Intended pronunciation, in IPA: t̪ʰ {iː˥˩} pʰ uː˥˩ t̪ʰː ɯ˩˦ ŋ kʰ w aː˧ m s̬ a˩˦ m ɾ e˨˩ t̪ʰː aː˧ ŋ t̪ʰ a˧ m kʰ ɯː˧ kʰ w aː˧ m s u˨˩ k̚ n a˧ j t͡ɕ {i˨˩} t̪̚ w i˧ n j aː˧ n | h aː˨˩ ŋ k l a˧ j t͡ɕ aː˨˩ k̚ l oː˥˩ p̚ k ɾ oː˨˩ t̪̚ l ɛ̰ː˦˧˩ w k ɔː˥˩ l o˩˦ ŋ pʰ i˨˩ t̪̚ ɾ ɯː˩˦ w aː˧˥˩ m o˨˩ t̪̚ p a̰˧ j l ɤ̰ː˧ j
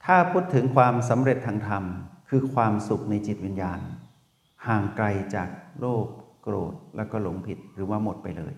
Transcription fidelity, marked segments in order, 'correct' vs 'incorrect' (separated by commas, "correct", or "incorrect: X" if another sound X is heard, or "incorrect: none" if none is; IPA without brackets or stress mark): incorrect: aː˥˩, correct